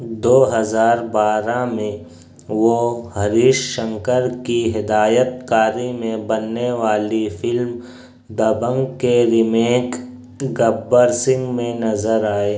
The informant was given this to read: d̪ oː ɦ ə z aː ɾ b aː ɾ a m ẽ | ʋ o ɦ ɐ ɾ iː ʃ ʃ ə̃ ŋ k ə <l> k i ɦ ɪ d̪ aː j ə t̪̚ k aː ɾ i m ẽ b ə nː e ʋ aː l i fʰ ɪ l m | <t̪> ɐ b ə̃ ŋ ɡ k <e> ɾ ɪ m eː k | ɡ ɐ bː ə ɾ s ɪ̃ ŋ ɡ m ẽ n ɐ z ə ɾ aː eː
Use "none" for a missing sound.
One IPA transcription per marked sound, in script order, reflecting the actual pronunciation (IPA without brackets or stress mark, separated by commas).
ɾ, d̪, e